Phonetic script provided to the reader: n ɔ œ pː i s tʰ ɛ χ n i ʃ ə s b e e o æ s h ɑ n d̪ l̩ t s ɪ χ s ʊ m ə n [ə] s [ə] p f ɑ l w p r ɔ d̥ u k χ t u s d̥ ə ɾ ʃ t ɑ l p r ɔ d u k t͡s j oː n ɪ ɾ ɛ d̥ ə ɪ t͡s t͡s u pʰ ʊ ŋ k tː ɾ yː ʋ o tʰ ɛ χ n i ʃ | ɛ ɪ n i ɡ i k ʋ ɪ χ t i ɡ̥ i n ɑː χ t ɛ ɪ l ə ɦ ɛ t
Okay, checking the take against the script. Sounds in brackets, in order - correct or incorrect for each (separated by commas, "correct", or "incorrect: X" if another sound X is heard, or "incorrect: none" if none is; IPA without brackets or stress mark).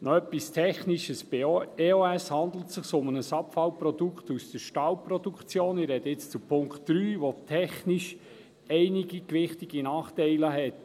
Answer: correct, incorrect: ɑ